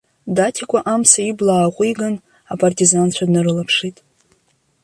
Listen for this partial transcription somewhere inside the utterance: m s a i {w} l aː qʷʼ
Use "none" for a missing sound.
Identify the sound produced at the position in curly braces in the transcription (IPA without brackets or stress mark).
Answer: b